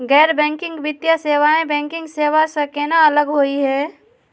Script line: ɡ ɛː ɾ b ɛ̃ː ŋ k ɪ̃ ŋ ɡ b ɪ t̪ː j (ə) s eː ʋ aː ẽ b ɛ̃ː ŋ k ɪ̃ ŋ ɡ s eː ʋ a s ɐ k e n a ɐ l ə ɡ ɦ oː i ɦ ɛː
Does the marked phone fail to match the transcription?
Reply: yes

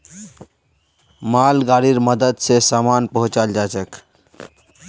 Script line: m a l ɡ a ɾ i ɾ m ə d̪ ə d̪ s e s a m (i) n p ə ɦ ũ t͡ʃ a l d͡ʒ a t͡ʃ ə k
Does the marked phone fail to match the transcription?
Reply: yes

